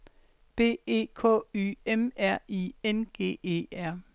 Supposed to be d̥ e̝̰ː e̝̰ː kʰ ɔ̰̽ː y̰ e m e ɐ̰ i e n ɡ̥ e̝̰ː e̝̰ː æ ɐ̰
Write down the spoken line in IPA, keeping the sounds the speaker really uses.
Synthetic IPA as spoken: b̥ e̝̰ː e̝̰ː kʰ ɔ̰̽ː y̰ e m æ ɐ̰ i e n ɡ̥ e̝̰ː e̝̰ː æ ɐ̰